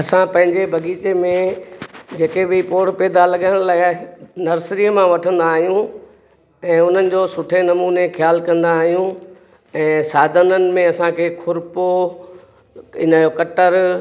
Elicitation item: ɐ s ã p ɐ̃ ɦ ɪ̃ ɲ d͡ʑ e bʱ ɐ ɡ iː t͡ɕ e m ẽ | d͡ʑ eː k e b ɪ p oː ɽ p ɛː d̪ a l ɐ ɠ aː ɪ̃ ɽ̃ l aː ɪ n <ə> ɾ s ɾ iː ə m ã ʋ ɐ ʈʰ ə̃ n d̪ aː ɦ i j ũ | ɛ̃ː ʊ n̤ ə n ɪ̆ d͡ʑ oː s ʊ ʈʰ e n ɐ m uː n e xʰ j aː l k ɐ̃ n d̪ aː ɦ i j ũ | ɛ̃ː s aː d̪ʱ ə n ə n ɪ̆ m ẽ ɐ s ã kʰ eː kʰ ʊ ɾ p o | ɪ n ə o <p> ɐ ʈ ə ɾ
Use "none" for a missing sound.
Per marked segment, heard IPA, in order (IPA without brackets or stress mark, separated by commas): ɐ, k